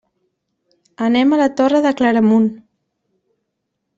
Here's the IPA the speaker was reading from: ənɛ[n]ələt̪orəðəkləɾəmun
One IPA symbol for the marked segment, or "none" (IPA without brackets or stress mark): m